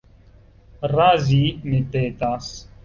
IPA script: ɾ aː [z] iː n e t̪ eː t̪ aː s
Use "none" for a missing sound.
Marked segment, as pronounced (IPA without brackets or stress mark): z